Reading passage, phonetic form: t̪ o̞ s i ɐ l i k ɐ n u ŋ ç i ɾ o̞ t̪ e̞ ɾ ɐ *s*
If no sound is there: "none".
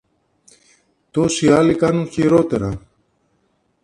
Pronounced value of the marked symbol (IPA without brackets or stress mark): none